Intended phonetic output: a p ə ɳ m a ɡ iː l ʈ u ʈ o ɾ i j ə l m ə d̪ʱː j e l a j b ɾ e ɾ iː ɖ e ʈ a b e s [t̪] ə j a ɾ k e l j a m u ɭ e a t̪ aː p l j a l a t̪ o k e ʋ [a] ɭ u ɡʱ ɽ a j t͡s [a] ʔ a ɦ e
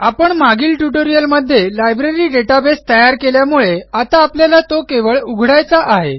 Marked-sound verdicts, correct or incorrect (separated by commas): correct, incorrect, correct